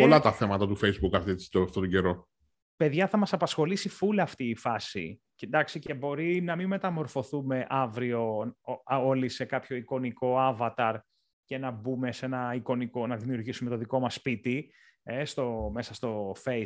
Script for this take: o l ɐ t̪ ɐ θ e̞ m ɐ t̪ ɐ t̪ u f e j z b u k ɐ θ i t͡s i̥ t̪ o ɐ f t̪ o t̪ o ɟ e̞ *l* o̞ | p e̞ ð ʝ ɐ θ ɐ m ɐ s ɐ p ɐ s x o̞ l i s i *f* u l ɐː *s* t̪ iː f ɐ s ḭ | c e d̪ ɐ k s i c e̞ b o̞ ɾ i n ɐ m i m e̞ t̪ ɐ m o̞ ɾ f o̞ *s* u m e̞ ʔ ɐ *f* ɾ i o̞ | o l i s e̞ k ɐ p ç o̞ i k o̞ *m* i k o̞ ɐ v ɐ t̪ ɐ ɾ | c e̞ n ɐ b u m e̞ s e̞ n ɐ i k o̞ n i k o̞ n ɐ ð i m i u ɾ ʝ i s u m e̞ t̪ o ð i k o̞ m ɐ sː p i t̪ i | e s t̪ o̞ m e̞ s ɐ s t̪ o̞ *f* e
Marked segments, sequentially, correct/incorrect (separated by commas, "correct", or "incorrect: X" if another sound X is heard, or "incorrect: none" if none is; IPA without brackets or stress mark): incorrect: ɾ, correct, incorrect: f, incorrect: θ, incorrect: v, incorrect: n, correct